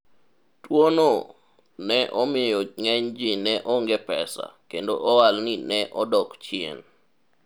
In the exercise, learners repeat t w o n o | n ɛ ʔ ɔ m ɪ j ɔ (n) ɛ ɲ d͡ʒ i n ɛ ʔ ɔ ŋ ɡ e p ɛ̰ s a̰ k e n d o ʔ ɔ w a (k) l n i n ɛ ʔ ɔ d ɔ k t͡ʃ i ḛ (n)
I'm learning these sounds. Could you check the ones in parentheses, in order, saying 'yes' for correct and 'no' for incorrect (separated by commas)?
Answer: no, no, yes